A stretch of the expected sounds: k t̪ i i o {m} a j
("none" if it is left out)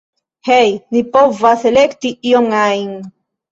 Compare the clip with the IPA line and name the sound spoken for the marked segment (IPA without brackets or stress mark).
ŋ